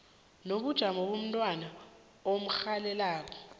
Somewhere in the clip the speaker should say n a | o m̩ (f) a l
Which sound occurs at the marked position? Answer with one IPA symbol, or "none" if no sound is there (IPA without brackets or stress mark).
x